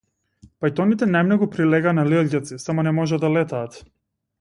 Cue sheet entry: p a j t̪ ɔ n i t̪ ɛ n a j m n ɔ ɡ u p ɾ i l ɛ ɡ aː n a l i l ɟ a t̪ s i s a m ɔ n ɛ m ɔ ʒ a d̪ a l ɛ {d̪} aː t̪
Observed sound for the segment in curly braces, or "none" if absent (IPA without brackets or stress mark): t̪